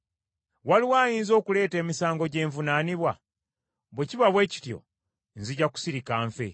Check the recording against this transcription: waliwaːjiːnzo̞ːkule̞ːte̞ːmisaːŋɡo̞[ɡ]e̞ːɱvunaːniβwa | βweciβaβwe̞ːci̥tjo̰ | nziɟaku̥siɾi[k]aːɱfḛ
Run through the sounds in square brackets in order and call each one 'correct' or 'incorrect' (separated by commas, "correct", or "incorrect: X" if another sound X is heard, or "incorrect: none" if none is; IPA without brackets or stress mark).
incorrect: ɟ, correct